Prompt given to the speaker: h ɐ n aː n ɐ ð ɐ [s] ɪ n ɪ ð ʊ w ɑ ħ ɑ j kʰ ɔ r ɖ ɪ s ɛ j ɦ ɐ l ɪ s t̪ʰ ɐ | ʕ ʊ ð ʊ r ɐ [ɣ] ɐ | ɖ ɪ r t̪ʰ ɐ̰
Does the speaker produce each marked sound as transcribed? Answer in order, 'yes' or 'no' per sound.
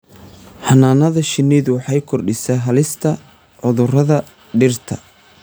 no, no

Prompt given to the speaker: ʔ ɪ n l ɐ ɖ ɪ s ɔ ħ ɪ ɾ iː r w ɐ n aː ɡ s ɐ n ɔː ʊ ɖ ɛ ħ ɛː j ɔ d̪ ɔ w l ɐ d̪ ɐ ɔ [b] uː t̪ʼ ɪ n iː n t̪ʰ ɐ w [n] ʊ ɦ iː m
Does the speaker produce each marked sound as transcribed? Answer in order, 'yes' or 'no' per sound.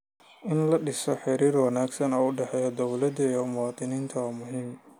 no, no

